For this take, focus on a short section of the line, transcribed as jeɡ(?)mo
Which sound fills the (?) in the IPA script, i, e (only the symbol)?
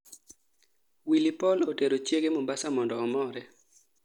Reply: e